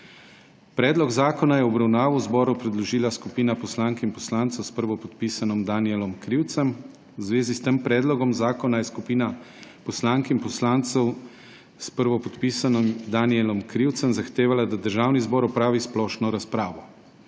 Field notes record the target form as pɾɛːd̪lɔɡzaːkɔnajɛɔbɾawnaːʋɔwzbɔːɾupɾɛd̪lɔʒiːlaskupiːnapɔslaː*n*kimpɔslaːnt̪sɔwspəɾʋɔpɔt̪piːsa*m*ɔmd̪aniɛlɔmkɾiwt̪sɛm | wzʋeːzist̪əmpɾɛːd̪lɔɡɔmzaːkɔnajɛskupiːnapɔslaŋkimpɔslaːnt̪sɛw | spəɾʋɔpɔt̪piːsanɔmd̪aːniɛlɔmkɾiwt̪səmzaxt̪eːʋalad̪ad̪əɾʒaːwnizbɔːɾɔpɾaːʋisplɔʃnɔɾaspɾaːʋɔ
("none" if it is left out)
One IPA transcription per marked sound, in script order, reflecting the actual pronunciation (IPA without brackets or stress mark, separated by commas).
ŋ, n